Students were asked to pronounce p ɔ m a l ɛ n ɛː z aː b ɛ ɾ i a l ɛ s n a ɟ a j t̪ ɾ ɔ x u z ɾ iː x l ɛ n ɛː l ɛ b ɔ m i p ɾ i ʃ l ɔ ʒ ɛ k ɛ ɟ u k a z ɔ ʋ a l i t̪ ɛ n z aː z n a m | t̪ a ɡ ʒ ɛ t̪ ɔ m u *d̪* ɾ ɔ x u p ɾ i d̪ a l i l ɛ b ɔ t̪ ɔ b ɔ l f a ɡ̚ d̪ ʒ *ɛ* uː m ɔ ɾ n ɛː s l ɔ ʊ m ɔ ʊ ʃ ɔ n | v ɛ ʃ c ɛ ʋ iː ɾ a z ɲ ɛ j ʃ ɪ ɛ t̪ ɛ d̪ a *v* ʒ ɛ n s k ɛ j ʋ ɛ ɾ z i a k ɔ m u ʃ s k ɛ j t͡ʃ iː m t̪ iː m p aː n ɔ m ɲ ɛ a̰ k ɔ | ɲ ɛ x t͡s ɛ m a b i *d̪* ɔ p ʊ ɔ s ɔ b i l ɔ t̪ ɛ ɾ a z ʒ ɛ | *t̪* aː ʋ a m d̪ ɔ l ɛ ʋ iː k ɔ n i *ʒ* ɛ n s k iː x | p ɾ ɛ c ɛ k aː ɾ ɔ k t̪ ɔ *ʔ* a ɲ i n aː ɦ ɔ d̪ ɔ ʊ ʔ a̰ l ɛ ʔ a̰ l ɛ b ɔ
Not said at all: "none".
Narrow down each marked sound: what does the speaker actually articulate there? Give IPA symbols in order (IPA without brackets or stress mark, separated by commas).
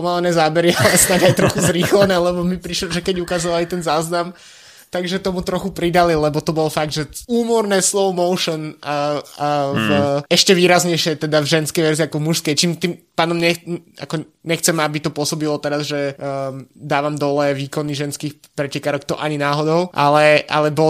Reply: t̪, ɛ, v, t̪, d̪, ʒ, ʔ